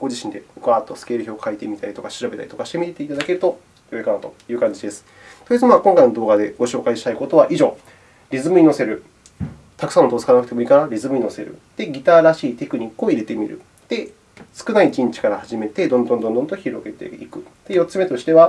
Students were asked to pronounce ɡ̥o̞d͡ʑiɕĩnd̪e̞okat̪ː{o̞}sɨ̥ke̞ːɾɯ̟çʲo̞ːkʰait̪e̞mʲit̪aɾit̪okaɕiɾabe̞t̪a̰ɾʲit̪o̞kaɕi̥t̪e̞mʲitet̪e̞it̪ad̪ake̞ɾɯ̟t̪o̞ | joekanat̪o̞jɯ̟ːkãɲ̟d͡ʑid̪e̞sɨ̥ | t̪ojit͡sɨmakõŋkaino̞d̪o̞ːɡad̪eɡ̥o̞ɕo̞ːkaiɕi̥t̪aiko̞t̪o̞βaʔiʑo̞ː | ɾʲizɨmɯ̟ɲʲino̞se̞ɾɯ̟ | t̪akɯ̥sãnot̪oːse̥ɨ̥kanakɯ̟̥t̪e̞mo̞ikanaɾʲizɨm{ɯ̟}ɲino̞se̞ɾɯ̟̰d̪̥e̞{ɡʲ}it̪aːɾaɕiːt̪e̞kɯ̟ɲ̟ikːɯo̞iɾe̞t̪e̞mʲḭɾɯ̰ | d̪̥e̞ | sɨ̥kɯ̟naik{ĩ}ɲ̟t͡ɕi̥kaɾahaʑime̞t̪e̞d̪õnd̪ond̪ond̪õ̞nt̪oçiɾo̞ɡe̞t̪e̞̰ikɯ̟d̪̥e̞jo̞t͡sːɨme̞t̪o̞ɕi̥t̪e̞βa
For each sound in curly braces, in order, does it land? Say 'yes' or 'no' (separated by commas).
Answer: yes, yes, yes, yes